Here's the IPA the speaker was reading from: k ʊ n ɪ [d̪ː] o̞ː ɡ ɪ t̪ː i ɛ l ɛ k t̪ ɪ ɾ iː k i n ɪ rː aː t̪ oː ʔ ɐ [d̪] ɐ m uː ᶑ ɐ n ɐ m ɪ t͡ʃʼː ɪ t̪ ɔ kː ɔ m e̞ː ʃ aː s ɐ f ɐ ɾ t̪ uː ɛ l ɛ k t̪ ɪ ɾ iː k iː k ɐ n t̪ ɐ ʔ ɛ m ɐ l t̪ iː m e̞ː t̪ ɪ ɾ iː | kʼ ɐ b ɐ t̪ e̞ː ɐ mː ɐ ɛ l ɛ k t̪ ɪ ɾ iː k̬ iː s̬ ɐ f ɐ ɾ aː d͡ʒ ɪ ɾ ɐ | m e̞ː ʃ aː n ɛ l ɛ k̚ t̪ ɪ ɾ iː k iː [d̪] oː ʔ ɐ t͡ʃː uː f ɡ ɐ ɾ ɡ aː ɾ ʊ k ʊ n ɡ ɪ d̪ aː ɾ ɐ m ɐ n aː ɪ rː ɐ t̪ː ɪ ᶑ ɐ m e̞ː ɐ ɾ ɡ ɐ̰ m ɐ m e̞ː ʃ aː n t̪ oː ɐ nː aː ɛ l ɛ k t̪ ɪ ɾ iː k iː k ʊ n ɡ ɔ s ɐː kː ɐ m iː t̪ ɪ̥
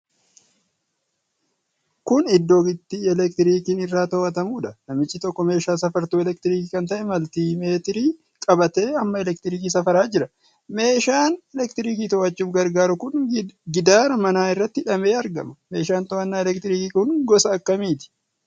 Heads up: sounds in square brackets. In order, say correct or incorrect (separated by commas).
correct, incorrect, incorrect